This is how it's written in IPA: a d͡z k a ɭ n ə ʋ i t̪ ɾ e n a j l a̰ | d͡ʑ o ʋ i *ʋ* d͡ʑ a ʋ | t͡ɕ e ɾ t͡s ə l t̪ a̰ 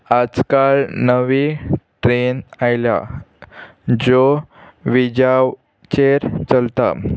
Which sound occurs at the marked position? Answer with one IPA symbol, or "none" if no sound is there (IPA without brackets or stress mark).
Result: none